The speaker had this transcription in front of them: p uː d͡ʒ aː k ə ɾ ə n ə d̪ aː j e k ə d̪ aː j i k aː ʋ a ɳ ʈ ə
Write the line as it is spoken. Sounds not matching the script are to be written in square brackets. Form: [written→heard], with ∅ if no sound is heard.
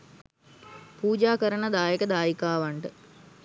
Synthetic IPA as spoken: p uː d͡ʒ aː k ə ɾ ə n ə d̪ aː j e k ə d̪ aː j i k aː ʋ a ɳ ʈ ə